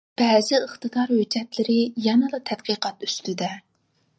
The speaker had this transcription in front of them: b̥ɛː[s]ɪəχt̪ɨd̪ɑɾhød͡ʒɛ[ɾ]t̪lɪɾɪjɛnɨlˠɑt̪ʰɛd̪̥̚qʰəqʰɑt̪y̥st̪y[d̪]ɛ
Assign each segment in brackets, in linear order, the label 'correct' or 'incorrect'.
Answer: incorrect, incorrect, correct

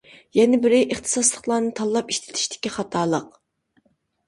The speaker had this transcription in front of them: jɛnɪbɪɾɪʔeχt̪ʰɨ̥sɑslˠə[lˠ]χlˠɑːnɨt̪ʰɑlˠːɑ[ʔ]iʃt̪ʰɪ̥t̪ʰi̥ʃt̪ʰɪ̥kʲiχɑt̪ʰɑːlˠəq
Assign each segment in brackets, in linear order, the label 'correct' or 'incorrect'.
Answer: incorrect, incorrect

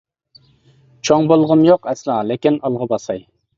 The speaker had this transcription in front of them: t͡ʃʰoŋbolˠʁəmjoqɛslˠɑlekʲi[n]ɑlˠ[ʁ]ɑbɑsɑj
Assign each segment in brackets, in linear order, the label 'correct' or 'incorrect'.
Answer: correct, correct

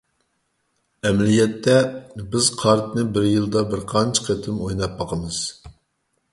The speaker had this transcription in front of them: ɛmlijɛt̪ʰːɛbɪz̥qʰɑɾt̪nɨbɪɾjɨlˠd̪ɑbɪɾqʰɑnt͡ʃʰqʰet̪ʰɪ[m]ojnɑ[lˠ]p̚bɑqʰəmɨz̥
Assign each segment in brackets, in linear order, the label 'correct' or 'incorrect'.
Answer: correct, incorrect

